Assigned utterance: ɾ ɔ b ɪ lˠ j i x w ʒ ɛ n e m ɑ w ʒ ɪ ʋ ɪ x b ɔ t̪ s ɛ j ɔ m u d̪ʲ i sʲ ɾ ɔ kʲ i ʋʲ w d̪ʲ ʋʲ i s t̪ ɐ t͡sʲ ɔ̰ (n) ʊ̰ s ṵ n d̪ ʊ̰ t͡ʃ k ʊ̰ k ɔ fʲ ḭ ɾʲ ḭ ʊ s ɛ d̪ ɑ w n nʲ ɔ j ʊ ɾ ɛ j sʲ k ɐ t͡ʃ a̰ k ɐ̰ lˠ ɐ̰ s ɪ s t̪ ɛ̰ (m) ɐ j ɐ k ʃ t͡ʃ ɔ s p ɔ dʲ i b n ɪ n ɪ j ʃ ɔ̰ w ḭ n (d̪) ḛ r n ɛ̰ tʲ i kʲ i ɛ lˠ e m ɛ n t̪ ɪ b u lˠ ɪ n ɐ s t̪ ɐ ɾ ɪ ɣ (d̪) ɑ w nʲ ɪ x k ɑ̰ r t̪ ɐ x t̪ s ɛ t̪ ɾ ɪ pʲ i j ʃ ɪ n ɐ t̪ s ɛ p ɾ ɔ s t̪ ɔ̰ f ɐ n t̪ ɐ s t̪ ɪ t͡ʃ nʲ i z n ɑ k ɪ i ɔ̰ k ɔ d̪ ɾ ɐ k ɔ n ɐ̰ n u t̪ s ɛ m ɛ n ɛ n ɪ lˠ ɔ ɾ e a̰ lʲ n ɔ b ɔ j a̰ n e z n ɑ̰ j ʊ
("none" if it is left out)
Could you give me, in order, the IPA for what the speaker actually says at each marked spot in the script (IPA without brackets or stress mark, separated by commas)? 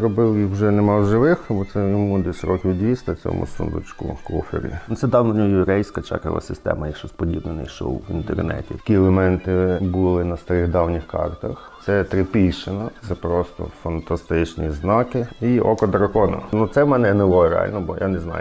m, m, t̪, d̪